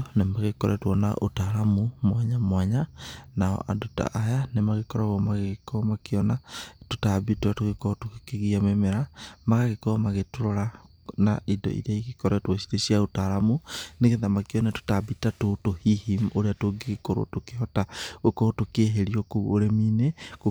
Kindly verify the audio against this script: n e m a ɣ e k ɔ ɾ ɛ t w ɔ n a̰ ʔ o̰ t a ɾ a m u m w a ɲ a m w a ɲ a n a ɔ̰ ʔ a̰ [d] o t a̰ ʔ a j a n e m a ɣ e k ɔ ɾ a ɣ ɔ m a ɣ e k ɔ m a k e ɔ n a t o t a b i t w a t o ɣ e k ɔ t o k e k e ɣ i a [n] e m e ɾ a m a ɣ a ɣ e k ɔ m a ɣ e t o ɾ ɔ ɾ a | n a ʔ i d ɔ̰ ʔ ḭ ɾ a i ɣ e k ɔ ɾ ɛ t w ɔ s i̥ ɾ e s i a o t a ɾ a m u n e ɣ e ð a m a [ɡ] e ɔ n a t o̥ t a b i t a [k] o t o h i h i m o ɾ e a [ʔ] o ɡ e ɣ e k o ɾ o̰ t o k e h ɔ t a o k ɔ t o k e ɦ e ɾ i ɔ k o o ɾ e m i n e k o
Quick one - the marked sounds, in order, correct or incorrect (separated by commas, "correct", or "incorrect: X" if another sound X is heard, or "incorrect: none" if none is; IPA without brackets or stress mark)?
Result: correct, incorrect: m, incorrect: k, incorrect: t, incorrect: t